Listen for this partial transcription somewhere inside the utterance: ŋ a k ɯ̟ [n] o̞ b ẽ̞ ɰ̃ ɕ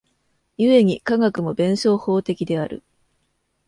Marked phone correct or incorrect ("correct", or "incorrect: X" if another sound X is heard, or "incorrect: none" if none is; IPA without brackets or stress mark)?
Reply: incorrect: m